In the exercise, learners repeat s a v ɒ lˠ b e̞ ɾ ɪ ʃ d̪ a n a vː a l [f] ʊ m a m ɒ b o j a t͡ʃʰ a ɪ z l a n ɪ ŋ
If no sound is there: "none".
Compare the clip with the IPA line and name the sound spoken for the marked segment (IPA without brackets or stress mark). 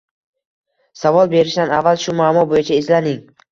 ʃ